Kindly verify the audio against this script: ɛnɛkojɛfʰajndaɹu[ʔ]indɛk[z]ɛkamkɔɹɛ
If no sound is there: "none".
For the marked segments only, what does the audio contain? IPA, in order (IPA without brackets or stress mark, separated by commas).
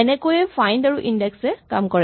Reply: ʔ, s